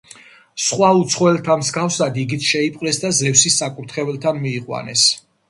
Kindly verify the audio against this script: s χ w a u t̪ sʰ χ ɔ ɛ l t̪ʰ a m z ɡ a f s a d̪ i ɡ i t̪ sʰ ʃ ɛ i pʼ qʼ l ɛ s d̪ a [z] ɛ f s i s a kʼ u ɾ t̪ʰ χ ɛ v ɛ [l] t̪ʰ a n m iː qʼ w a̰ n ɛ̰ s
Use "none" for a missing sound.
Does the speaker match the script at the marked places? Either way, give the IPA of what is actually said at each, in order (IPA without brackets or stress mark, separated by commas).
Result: z, l